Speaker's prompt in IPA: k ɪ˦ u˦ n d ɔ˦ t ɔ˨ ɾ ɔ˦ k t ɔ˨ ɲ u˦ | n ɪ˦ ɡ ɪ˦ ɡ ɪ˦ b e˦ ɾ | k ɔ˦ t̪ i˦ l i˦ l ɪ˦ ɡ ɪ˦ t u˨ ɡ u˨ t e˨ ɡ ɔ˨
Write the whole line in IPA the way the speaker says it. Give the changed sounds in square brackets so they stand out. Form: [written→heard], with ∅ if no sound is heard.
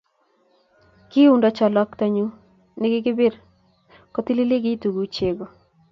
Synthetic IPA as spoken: k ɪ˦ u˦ n d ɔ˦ [t→t͡ʃ] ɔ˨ [ɾ→l] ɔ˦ k t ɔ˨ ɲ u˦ | n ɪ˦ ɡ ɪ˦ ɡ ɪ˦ b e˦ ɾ | k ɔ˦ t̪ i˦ l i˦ l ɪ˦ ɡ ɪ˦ t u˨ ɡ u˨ [t→t͡ʃ] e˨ ɡ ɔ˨